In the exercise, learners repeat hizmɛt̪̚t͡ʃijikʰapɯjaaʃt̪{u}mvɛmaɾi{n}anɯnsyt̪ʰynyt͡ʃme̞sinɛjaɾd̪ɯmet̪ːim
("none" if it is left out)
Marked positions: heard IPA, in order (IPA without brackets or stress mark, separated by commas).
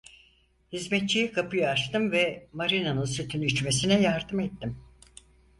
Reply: ɯ, n